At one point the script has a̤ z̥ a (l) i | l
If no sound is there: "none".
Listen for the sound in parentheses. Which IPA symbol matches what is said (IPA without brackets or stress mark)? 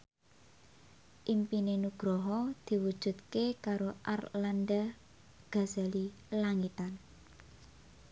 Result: l